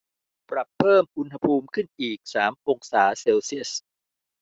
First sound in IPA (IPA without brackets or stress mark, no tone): p